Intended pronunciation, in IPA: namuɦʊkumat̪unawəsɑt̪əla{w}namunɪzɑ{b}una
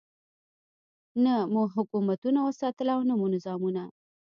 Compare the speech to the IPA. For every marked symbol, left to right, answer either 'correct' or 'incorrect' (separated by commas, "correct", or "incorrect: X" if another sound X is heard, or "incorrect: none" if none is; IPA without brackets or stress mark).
correct, incorrect: m